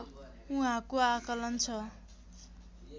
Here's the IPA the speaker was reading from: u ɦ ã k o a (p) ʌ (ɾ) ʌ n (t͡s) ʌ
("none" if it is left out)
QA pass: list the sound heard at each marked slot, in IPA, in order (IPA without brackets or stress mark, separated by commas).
k, l, t͡sʰ